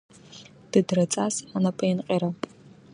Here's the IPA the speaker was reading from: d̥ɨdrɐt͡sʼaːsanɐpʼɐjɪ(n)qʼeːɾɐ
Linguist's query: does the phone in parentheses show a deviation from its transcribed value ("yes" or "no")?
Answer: no